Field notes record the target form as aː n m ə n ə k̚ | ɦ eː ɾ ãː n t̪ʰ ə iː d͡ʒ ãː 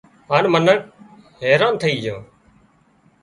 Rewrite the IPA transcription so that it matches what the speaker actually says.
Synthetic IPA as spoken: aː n m ə n ə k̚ | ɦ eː ɾ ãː n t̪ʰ ə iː d͡ʒ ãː